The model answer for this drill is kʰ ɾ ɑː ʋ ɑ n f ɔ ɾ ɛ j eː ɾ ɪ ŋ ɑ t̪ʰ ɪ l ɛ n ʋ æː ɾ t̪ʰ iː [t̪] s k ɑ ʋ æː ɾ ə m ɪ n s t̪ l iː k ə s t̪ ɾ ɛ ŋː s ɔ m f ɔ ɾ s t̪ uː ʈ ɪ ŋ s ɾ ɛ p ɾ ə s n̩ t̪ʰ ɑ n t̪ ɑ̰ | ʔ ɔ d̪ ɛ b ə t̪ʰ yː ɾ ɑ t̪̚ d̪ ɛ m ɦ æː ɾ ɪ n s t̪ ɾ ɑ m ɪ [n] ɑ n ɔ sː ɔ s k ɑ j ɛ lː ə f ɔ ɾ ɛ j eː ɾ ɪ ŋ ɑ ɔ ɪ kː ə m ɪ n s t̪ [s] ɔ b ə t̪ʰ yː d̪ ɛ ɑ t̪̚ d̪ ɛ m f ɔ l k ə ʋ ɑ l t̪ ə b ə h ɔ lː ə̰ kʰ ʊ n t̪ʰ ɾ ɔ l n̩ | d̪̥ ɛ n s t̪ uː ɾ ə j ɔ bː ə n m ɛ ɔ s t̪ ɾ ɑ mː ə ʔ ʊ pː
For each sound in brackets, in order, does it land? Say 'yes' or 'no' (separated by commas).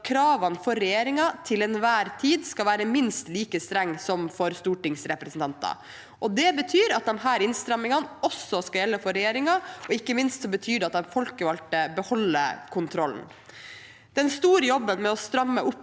no, no, yes